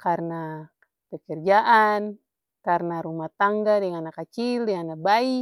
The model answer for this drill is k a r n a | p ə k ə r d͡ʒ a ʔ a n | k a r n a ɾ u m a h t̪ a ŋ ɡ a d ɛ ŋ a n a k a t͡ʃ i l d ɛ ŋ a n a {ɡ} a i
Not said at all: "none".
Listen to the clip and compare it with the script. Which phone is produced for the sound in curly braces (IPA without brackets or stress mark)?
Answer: b